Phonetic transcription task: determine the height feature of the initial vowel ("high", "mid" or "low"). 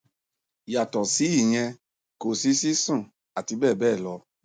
low